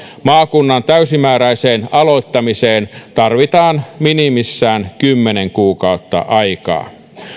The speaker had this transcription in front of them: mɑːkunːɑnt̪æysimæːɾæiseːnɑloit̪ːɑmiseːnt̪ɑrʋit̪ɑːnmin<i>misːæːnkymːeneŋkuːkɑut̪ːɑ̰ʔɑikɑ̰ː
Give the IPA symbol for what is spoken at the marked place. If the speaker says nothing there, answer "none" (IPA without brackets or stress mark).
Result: i